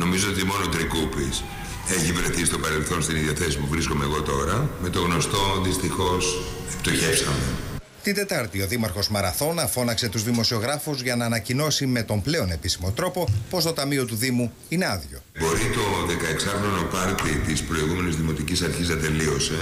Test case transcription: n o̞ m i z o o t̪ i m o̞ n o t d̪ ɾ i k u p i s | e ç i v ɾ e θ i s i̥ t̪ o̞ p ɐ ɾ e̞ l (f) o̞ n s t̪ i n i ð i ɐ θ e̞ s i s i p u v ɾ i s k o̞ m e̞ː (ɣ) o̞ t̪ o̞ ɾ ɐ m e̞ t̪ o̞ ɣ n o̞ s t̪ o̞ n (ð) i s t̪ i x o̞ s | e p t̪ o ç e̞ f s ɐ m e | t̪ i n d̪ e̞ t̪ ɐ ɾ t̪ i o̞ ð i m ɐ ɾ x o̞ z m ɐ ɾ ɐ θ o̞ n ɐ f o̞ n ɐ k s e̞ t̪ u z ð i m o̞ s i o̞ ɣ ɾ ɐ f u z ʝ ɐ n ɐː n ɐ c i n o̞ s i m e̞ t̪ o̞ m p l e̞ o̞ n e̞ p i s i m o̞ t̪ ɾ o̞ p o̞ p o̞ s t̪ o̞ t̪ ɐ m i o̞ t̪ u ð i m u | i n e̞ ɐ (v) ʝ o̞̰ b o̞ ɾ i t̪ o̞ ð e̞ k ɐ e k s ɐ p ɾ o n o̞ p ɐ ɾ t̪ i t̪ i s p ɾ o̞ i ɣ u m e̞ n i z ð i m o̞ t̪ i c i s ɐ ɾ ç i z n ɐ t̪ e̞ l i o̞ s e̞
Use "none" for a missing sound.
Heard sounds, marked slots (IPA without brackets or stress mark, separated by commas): θ, ɣ, ð, ð